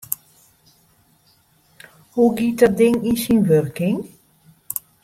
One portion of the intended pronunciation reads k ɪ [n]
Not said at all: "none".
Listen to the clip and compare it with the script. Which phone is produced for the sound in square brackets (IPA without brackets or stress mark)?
ŋ